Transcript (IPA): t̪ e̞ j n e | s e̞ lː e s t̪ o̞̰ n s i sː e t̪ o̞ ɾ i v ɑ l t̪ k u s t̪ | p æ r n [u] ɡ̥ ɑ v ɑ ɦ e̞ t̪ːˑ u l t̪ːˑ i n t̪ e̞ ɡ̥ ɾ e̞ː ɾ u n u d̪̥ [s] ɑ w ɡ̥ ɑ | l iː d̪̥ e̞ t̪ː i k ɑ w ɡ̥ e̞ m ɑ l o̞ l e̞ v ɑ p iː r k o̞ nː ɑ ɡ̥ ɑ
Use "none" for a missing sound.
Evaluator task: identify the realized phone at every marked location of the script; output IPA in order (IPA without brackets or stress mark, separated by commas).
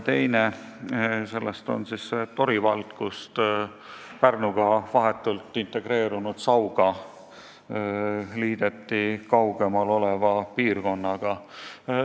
u, s